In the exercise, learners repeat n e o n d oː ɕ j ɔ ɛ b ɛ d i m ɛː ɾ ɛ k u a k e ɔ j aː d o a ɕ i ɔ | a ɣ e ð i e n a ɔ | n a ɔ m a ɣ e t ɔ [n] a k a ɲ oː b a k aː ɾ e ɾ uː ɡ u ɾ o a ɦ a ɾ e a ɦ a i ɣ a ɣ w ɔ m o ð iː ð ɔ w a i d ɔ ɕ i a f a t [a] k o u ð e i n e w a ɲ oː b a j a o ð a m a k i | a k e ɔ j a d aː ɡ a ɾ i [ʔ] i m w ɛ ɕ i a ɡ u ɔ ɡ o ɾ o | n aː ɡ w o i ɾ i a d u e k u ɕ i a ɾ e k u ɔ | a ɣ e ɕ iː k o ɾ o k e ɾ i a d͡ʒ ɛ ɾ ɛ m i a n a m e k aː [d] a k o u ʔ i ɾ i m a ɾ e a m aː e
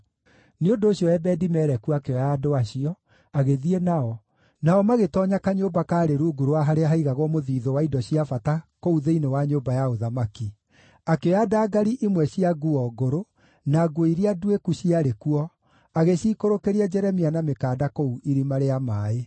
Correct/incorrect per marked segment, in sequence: incorrect: ɲ, correct, correct, correct

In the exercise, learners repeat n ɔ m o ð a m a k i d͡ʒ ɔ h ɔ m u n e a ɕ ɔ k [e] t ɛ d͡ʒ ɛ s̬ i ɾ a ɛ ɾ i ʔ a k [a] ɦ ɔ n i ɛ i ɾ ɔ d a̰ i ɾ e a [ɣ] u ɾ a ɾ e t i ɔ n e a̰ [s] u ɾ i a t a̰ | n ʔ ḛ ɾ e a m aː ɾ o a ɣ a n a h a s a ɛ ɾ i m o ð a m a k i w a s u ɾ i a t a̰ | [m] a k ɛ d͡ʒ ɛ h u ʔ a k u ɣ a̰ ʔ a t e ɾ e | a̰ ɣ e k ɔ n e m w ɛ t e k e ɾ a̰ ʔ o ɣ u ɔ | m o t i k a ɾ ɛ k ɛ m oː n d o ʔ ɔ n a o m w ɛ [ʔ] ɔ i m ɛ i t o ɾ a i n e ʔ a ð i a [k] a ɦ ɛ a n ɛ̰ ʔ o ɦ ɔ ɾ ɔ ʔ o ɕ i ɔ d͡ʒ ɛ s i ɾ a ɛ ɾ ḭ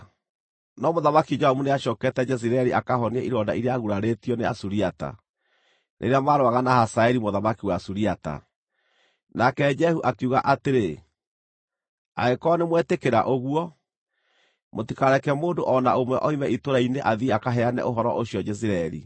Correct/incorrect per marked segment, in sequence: incorrect: ɛ, correct, correct, correct, incorrect: n, correct, correct

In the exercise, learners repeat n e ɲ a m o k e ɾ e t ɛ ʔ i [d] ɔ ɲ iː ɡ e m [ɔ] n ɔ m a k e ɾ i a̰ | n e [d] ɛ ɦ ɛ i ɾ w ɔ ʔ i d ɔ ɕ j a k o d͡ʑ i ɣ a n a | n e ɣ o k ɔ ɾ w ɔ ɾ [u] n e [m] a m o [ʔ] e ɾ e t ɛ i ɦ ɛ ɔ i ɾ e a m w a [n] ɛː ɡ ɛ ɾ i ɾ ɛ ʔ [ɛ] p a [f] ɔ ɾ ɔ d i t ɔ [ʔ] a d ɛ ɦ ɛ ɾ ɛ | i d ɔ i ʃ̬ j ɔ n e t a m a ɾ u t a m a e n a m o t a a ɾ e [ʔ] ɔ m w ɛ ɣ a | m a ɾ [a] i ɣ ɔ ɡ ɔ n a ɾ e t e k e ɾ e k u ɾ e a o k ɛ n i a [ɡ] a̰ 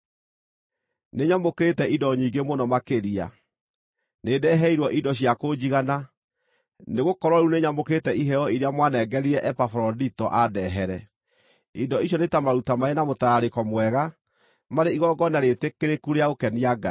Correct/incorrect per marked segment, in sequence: correct, incorrect: o, correct, correct, incorrect: ɲ, incorrect: k, correct, correct, correct, correct, incorrect: k, incorrect: e, correct

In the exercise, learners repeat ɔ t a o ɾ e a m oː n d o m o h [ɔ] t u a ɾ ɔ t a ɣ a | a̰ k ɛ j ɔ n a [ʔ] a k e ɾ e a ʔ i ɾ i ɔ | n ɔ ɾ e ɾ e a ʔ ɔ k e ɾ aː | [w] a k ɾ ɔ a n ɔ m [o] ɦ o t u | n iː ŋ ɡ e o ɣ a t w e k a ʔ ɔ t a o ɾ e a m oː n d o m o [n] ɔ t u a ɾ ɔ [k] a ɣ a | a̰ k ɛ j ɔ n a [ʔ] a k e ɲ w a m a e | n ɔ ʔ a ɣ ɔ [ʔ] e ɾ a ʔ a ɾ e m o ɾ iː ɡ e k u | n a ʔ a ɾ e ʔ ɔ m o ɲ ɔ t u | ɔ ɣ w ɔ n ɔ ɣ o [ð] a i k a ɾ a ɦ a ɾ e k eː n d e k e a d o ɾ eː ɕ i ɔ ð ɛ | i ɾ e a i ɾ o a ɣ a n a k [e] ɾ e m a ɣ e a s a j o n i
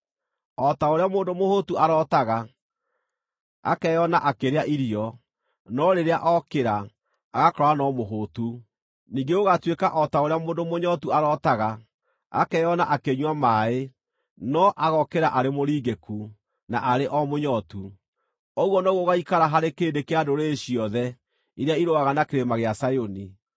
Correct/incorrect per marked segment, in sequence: incorrect: o, correct, incorrect: ɣ, correct, incorrect: ɲ, incorrect: t, correct, incorrect: k, incorrect: ɣ, correct

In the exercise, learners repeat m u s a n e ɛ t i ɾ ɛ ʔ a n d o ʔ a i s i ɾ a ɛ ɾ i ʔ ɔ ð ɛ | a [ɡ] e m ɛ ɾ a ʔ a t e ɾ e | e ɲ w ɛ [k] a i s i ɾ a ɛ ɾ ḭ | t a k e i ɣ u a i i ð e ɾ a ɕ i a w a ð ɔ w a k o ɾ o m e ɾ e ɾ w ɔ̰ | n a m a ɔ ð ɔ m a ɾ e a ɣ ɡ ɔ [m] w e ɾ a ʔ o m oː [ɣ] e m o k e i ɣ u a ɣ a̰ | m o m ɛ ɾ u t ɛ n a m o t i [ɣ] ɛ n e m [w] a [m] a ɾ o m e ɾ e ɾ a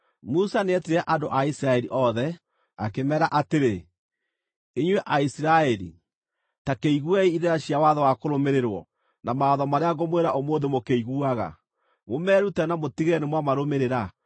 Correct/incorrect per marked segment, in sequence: incorrect: k, incorrect: ʔ, correct, incorrect: ð, correct, correct, correct

